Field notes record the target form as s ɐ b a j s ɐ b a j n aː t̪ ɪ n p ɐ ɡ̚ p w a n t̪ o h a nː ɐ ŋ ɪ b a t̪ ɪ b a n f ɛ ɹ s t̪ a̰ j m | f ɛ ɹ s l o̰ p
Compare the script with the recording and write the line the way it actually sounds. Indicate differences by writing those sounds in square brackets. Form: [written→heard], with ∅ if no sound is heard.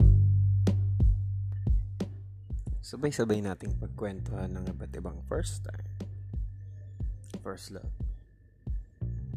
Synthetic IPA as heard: s ɐ b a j s ɐ b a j n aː t̪ ɪ [n→ŋ] p ɐ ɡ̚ [p→k] w [a→ɛ] n t̪ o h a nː ɐ ŋ ɪ b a t̪ ɪ b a [n→ŋ] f ɛ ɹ s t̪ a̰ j m | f ɛ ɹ s l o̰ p